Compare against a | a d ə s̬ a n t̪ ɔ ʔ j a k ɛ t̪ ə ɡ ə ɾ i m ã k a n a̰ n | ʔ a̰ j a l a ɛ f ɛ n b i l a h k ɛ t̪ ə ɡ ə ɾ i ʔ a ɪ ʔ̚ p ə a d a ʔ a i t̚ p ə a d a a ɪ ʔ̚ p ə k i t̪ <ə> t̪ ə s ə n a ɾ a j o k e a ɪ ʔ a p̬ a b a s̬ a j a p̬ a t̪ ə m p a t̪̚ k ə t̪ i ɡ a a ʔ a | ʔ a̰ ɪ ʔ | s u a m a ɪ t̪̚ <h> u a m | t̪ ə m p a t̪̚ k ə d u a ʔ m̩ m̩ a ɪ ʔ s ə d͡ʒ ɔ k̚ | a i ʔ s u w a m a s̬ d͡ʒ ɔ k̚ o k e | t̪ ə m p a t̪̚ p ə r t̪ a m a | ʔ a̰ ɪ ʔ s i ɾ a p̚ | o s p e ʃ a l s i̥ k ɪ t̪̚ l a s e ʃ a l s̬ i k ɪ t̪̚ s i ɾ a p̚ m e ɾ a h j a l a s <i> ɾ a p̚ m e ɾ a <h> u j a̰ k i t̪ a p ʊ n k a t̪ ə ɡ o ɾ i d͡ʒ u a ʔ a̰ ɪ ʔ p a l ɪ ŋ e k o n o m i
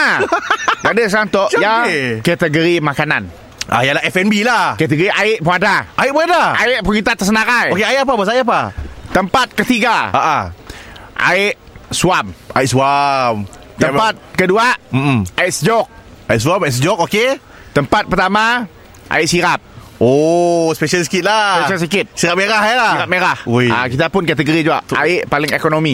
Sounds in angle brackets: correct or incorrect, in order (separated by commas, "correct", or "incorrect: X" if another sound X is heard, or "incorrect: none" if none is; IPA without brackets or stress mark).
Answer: incorrect: a, incorrect: s, correct, correct